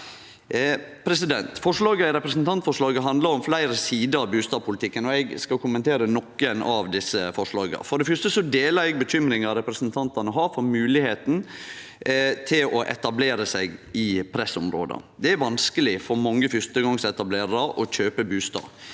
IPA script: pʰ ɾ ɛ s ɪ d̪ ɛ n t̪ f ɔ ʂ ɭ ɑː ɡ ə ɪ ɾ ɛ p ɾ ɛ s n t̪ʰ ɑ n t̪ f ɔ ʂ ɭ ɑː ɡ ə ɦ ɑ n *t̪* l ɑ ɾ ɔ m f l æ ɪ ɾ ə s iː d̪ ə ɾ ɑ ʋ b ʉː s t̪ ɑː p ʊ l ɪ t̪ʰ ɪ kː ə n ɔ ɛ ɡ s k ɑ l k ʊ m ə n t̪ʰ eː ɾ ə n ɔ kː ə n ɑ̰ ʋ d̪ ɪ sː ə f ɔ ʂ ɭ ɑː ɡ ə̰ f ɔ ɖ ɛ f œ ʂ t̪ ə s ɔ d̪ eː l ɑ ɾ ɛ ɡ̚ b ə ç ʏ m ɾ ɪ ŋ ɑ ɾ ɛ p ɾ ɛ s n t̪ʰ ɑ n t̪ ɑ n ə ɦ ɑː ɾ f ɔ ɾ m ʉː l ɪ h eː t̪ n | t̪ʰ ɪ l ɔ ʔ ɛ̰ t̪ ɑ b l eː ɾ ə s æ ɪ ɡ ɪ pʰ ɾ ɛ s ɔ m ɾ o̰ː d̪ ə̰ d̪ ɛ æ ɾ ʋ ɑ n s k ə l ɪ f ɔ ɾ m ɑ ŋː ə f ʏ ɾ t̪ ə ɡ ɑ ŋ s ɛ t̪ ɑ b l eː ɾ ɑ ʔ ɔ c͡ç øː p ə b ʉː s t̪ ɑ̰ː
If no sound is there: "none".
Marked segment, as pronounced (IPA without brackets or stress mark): d̪